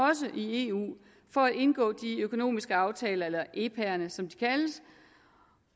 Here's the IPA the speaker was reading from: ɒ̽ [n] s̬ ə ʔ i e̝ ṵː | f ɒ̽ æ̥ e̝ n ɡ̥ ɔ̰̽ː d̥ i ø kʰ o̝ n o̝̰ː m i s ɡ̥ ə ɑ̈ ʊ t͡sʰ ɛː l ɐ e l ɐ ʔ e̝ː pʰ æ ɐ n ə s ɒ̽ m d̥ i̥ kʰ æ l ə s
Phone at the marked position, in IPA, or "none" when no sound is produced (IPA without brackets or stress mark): none